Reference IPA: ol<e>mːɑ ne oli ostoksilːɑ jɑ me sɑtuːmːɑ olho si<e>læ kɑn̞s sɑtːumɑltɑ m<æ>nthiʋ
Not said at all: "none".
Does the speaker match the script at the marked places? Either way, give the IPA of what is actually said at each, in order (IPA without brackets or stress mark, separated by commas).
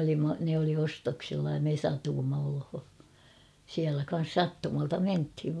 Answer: i, æ, e